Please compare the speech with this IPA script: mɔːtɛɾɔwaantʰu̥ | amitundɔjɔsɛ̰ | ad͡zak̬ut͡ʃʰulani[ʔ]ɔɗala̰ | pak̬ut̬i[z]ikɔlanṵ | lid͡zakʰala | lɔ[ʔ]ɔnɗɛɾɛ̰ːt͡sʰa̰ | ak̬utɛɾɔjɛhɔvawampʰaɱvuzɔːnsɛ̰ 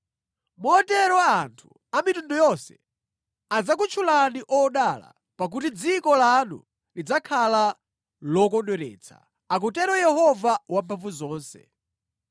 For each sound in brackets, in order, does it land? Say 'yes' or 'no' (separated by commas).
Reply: yes, no, no